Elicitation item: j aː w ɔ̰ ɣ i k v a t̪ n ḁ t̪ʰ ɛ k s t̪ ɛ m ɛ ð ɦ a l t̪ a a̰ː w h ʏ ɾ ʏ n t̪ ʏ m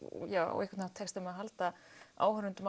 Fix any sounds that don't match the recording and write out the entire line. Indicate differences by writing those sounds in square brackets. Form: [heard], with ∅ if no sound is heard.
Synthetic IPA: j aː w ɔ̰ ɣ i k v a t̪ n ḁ t̪ʰ ɛ k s t̪ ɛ m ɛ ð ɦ a l t̪ a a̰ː w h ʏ ɾ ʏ n t̪ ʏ m